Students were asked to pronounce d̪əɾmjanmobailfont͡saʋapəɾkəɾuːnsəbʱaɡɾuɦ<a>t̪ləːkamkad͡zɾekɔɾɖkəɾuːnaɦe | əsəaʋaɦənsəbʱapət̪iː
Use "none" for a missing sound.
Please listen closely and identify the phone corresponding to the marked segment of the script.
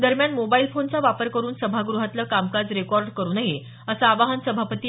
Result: a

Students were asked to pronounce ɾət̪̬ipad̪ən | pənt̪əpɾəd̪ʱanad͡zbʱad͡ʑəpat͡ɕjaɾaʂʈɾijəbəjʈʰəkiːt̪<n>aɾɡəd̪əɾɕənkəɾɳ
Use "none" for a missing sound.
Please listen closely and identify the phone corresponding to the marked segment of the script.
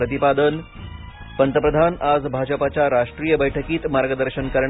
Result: m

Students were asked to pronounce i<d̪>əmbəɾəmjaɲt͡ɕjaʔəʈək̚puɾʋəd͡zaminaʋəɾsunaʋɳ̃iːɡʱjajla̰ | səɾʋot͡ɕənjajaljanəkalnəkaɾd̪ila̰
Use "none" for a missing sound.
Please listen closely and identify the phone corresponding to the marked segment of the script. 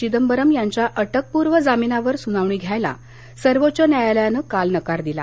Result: d̪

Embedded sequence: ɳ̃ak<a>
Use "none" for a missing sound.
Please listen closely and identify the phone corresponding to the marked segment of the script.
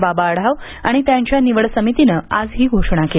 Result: e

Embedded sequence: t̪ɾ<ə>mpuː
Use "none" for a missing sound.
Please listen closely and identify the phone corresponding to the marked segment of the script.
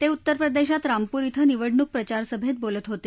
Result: a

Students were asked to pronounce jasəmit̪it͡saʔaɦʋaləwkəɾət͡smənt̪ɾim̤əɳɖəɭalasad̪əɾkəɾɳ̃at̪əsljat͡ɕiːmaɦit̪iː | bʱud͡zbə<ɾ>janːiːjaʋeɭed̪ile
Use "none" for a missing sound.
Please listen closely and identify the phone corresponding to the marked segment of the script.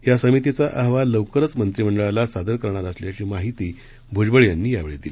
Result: ɭ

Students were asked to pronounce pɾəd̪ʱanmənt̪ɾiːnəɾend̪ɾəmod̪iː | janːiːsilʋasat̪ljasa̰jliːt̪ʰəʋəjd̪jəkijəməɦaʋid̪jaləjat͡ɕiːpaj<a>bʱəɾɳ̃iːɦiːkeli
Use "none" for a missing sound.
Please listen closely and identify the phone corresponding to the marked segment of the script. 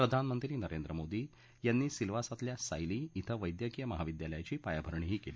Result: a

